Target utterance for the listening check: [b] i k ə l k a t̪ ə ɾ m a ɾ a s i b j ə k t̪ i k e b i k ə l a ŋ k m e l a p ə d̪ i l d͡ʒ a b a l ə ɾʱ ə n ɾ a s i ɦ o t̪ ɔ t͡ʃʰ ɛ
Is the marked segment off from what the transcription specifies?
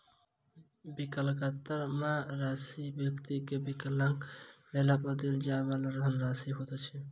no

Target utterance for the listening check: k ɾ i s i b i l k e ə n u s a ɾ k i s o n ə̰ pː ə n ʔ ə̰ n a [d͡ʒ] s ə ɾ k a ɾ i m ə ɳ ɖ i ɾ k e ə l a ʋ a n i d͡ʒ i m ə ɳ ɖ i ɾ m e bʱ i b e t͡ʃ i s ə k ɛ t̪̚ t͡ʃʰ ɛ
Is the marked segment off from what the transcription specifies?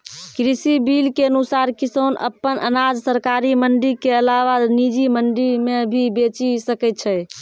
no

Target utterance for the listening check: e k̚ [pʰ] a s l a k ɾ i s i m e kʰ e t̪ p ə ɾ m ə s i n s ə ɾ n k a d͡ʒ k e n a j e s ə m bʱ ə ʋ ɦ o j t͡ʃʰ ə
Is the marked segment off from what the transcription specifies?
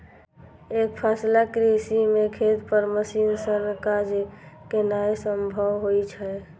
no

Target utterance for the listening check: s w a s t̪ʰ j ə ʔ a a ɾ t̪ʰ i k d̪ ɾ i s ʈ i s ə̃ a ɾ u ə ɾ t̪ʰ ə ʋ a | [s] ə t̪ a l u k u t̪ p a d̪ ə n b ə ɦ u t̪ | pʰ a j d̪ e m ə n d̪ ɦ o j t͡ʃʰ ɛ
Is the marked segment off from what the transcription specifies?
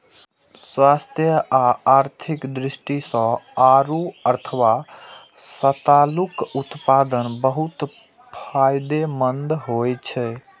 no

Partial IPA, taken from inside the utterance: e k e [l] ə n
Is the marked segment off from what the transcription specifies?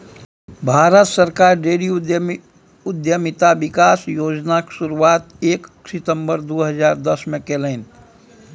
no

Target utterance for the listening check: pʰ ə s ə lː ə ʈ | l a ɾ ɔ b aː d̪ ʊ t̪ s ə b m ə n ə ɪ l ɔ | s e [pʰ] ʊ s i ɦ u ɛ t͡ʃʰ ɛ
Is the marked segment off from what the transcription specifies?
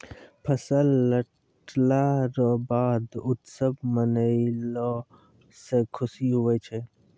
yes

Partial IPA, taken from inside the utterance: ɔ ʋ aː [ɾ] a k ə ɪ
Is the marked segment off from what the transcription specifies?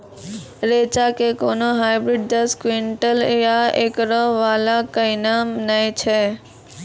yes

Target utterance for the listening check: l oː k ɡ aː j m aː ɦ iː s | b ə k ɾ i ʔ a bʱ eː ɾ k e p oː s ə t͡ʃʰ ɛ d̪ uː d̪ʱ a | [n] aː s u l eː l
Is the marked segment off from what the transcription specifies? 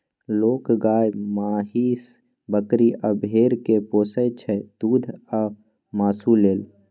yes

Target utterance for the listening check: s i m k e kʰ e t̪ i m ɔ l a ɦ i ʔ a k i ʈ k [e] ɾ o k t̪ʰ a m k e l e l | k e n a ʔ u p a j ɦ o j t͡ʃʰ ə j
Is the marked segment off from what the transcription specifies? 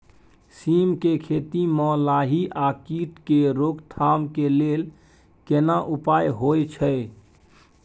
no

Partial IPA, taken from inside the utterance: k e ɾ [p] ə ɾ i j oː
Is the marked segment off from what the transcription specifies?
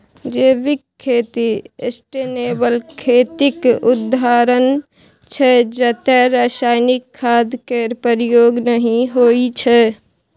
no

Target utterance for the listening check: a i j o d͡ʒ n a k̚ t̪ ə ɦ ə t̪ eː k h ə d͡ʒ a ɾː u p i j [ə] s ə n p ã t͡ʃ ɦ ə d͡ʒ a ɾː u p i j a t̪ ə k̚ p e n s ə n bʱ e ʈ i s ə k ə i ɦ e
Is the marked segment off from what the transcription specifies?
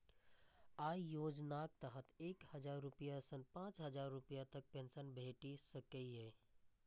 yes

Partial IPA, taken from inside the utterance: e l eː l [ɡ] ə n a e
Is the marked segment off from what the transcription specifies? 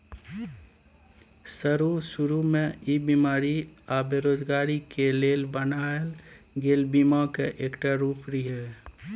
yes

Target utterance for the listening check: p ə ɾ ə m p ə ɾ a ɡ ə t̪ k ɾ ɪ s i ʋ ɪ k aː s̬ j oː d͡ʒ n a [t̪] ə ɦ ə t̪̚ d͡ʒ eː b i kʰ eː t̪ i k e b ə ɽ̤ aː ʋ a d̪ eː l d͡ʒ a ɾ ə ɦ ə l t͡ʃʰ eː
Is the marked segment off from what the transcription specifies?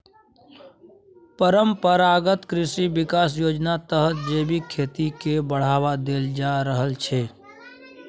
no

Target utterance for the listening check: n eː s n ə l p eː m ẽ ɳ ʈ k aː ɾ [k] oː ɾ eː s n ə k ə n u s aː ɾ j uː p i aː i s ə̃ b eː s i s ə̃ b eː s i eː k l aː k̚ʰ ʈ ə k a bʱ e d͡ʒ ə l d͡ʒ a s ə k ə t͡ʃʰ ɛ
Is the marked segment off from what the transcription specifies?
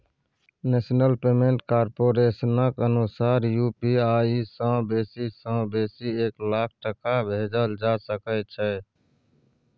yes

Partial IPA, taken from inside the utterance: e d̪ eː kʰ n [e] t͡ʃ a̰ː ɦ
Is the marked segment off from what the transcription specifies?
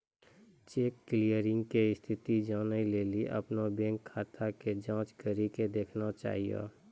yes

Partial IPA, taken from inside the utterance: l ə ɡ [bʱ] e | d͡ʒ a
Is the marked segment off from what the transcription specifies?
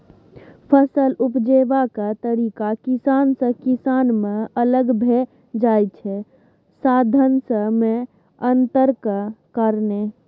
no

